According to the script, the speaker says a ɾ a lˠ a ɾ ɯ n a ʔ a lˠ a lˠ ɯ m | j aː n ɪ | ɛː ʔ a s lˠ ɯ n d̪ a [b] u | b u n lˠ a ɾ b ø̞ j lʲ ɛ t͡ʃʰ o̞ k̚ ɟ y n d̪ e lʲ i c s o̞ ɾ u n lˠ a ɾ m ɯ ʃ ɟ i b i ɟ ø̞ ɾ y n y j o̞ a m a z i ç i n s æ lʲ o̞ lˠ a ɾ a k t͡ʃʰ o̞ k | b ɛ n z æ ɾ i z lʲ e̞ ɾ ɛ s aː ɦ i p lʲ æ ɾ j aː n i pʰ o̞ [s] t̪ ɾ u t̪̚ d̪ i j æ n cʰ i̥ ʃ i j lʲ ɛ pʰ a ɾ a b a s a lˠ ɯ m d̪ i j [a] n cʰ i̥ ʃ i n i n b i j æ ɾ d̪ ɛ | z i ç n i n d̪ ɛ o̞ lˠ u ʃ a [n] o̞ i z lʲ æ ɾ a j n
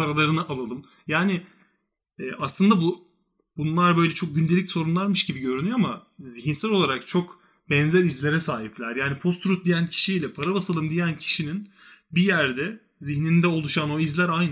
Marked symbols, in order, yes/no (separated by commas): yes, yes, no, yes